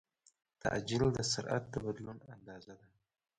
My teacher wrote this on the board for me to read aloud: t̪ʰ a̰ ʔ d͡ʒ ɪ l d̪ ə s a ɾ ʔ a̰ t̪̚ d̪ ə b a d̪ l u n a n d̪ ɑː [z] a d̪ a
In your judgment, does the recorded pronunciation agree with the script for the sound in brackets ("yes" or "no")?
yes